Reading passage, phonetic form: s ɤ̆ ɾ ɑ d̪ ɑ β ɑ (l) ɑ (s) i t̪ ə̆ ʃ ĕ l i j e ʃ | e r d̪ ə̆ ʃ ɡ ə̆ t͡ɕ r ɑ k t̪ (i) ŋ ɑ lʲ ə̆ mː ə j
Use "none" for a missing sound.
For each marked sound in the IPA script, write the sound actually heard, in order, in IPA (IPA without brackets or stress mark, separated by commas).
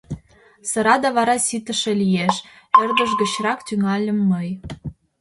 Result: ɾ, s, y